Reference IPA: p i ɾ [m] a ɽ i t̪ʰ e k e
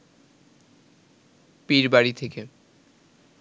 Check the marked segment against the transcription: incorrect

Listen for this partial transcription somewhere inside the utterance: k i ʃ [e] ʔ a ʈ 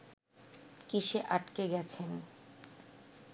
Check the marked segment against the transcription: correct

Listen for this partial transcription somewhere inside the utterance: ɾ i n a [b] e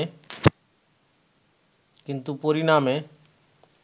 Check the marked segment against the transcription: incorrect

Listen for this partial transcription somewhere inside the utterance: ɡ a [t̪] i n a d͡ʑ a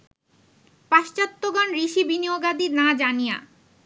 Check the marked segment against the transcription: incorrect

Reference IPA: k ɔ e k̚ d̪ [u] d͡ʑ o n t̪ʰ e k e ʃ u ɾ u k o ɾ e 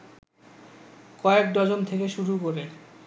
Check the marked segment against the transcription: incorrect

